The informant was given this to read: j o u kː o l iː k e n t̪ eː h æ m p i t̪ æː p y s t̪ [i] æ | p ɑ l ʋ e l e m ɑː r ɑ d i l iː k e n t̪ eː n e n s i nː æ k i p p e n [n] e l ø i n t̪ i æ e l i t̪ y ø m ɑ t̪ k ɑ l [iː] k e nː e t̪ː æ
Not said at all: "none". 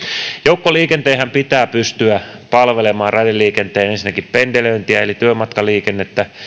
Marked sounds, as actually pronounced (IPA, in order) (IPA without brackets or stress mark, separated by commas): y, d, iː